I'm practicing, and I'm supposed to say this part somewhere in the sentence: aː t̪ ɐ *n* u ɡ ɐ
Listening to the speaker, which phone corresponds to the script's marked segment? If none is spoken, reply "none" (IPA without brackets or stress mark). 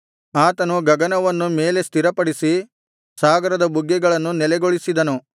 n